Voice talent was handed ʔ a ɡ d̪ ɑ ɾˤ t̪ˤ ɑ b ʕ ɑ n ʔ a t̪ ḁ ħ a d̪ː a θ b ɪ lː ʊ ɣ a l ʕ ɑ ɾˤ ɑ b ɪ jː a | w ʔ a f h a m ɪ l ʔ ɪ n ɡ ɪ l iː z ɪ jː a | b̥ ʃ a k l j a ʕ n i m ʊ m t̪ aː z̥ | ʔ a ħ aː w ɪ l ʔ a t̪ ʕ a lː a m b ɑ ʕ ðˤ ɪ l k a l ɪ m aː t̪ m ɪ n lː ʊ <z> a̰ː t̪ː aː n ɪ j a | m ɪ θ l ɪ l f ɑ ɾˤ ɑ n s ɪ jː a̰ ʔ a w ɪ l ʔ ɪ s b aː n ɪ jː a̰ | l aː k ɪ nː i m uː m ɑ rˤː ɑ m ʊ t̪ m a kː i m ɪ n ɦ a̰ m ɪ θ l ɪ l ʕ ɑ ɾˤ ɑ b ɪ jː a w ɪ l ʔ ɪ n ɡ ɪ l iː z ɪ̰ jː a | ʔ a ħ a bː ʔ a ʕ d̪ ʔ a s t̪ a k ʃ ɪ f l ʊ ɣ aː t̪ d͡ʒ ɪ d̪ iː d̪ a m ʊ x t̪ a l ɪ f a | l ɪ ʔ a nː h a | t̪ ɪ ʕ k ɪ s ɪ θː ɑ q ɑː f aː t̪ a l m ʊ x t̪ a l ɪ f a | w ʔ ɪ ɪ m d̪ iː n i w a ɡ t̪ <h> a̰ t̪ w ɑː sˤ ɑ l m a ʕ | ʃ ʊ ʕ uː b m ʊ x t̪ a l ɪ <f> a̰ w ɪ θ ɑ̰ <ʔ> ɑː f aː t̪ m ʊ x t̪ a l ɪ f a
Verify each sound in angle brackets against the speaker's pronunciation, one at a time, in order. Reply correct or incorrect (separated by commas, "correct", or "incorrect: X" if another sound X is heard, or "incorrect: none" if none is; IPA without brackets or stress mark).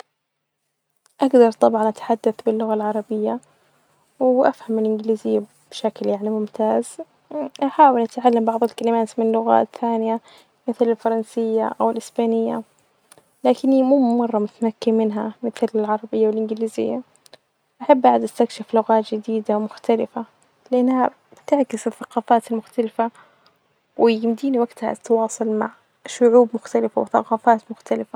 incorrect: ɣ, correct, correct, incorrect: q